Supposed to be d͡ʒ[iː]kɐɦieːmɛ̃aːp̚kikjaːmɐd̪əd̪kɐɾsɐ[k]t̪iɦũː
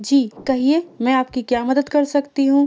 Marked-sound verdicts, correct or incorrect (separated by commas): correct, correct